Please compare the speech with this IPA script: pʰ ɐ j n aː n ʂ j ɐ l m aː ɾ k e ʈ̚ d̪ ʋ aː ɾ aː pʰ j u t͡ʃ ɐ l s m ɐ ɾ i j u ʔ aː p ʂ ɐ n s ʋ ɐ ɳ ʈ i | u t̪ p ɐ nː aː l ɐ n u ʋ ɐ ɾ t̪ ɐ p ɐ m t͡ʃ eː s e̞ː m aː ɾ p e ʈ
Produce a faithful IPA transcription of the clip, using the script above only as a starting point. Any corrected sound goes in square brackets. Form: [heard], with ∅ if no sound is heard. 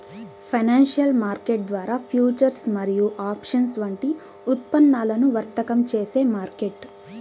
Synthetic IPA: pʰ ɐ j n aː n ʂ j ɐ l m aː ɾ k e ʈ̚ d̪ ʋ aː ɾ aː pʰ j [uː] t͡ʃ ɐ [ɾ] s m ɐ ɾ i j u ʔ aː p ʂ ɐ n s ʋ ɐ ɳ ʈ i | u t̪ p ɐ nː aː l ɐ n u ʋ ɐ ɾ t̪ ɐ [k] ɐ m t͡ʃ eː s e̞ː m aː ɾ [k] e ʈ

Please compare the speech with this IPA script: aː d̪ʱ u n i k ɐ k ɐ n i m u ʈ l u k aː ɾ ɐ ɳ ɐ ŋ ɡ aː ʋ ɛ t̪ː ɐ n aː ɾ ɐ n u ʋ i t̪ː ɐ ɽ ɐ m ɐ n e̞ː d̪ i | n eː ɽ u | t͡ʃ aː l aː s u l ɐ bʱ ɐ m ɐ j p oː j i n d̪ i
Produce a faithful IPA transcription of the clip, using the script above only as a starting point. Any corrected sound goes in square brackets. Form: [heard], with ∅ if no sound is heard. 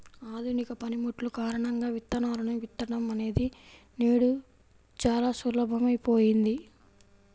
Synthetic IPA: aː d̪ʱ u n i k ɐ [p] ɐ n i m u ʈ l u k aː ɾ ɐ ɳ ɐ ŋ ɡ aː ʋ [i] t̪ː ɐ n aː ɾ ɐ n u ʋ i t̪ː ɐ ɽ ɐ m ɐ n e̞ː d̪ i | n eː ɽ u | t͡ʃ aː l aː s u l ɐ bʱ ɐ m ɐ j p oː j i n d̪ i

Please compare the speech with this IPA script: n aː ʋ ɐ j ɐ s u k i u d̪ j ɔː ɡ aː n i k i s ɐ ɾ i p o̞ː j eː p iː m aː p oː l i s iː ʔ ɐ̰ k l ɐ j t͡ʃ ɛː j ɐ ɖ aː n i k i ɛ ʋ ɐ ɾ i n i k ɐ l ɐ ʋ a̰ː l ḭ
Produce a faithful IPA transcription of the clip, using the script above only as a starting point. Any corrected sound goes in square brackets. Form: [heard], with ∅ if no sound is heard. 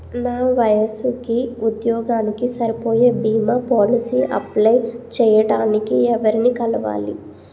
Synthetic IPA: n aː ʋ ɐ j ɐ s u k i u d̪ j ɔː ɡ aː n i k i s ɐ ɾ i p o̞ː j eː [b] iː m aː p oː l i s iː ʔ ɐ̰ [p] l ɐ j t͡ʃ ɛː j ɐ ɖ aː n i k i ɛ ʋ ɐ ɾ i n i k ɐ l ɐ ʋ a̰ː l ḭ

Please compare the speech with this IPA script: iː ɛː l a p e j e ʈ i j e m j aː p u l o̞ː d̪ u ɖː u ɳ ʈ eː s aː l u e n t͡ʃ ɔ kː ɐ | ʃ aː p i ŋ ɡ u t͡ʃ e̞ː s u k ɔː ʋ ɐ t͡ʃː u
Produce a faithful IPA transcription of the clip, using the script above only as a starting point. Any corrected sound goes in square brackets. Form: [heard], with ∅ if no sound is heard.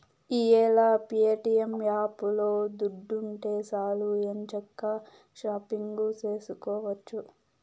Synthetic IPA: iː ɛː l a p [i] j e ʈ i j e m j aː p u l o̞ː d̪ u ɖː u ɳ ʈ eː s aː l u e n t͡ʃ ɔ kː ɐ | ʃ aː p i ŋ ɡ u t͡ʃ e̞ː s u k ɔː ʋ ɐ t͡ʃː u

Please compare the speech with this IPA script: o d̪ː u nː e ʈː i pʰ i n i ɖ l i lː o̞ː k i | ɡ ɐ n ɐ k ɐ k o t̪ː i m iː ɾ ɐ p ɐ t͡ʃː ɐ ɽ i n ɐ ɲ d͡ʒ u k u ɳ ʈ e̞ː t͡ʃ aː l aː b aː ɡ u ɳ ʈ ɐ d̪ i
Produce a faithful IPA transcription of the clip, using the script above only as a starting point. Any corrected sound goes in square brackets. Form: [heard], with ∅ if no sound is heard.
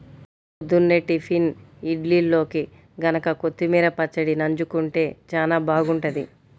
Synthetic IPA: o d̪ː u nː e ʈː i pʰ i n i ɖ l i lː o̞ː k i | ɡ ɐ n ɐ k ɐ k o t̪ː i m iː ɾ ɐ p ɐ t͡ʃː ɐ ɽ i n ɐ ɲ d͡ʒ u k u ɳ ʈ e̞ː t͡ʃ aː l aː b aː ɡ u ɳ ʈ ɐ d̪ i

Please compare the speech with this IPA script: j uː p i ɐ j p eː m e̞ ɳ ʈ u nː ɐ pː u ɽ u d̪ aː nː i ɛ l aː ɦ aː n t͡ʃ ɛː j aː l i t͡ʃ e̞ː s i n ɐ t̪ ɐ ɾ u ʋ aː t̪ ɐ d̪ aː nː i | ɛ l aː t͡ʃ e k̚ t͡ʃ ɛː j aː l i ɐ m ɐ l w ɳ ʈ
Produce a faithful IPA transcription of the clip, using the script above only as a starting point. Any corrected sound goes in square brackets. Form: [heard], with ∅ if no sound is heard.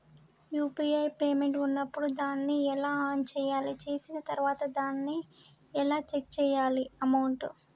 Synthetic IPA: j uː p i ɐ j p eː m e̞ ɳ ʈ u nː ɐ pː u ɽ u d̪ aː nː i ɛ l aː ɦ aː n t͡ʃ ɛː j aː l i t͡ʃ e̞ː s i n ɐ t̪ ɐ ɾ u ʋ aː t̪ ɐ d̪ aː nː i | ɛ l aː t͡ʃ e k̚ t͡ʃ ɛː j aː l i ɐ m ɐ [∅] w ɳ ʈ

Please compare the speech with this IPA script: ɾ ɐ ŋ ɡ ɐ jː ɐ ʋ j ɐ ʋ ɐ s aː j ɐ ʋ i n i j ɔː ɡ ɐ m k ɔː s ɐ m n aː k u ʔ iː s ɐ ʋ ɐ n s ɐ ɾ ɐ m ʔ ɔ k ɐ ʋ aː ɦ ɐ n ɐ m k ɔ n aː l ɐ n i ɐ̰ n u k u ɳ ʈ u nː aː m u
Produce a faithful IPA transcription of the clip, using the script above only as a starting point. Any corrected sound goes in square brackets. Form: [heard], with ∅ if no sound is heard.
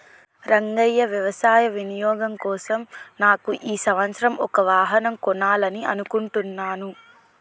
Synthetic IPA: ɾ ɐ ŋ ɡ ɐ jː ɐ ʋ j ɐ ʋ ɐ s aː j ɐ ʋ i n i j ɔː ɡ ɐ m k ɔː s ɐ m n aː k u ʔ iː s ɐ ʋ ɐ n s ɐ ɾ ɐ m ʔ ɔ k ɐ ʋ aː ɦ ɐ n ɐ m k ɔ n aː l ɐ n i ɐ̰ n u k u ɳ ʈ u nː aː [n] u

